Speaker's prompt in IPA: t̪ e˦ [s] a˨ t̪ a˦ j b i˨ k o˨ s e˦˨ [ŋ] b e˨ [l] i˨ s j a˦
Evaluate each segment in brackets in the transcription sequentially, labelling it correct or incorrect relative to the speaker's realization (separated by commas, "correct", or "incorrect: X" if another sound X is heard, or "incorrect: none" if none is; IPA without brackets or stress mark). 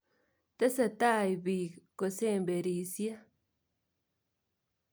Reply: correct, incorrect: m, incorrect: ɾ